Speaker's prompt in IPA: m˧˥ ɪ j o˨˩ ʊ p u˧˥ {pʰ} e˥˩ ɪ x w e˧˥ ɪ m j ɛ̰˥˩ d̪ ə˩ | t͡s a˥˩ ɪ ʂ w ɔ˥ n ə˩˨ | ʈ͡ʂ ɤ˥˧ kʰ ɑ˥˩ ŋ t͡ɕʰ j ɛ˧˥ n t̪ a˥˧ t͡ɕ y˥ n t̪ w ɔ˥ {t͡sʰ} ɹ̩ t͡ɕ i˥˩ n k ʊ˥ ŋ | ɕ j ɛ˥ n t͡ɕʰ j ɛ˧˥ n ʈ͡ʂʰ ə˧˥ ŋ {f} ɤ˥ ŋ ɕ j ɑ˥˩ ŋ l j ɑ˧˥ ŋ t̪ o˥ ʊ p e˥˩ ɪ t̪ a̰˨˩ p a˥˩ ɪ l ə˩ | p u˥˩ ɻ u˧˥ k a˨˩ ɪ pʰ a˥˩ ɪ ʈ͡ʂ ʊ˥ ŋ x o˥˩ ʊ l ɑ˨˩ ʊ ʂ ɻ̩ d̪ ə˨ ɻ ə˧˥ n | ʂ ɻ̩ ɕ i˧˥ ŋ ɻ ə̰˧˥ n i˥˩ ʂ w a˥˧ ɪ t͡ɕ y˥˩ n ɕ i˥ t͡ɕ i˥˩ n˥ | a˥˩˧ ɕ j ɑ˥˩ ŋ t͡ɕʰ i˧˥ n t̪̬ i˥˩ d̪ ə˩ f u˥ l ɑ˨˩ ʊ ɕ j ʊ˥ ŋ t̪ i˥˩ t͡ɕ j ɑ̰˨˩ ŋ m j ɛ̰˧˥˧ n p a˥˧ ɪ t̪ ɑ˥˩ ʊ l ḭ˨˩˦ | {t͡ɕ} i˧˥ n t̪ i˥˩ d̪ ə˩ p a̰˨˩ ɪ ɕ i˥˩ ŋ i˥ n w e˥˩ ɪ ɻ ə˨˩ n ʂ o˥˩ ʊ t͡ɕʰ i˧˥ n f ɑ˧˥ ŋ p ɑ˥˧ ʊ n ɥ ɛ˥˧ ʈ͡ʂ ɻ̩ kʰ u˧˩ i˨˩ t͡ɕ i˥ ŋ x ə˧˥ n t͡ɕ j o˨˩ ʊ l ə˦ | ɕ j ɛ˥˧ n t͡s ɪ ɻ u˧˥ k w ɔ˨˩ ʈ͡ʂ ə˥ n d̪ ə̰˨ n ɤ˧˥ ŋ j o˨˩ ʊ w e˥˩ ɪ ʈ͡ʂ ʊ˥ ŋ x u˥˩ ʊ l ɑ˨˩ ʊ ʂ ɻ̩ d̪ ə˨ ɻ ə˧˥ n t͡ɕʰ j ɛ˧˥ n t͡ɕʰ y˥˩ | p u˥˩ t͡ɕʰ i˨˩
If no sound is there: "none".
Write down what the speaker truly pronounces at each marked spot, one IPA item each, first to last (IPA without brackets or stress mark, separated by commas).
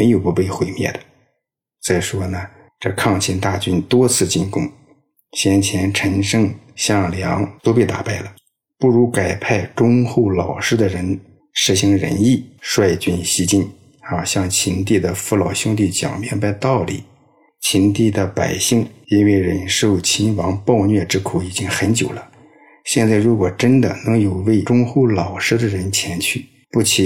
p, t͡sʰ, ʂ, t͡ɕʰ